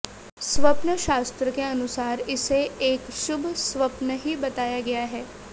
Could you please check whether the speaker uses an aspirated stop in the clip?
no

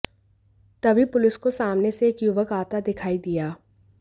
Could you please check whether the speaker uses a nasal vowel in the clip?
no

